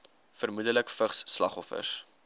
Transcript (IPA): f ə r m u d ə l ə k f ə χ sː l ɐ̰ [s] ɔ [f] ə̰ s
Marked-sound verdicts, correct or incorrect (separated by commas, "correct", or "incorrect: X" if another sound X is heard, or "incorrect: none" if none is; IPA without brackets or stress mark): incorrect: χ, correct